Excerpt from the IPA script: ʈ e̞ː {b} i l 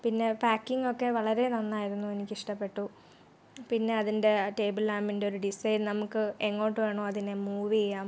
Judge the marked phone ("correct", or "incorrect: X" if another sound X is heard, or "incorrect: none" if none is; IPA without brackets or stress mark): correct